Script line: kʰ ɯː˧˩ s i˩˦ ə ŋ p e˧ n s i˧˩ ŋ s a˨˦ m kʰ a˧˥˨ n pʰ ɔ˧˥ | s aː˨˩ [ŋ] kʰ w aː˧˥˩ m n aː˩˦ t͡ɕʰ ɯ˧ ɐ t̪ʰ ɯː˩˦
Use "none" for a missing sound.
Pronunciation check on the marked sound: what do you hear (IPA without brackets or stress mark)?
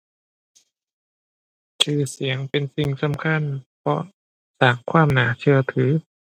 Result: ŋ